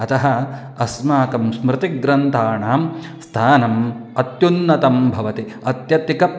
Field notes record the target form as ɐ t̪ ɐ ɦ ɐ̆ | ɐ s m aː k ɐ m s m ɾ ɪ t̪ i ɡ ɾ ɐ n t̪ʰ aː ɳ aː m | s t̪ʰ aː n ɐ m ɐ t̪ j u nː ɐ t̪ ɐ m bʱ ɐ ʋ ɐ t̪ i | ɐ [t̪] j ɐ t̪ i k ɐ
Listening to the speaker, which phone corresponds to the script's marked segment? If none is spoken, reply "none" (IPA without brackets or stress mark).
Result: t̪